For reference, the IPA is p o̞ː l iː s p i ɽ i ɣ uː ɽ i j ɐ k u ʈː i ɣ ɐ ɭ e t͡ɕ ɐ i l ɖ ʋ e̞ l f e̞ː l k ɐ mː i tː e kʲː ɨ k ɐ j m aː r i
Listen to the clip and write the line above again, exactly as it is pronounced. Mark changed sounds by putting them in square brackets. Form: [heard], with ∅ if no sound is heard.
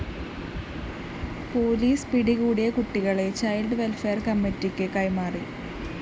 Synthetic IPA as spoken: p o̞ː l iː s p i ɽ i ɣ uː ɽ i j ɐ k u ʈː i ɣ ɐ ɭ e t͡ɕ ɐ [j] l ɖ ʋ e̞ l f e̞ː [r] k ɐ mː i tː [i] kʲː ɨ k ɐ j m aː r i